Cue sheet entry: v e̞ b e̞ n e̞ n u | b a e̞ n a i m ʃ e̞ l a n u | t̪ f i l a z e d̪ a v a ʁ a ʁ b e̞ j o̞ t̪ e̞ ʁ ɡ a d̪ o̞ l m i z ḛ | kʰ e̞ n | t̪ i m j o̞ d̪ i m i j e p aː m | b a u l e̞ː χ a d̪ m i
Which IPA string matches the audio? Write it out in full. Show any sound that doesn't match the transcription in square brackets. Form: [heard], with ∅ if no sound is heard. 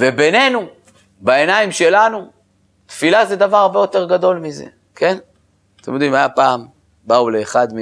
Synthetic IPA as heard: v e̞ b e̞ n e̞ n u | b a e̞ n a i m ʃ e̞ l a n u | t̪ f i l a z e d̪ a v a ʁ a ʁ b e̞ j o̞ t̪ e̞ ʁ ɡ a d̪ o̞ l m i z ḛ | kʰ e̞ n | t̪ [e] m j o̞ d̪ i m [a] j [a] p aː m | b a u l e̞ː χ a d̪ m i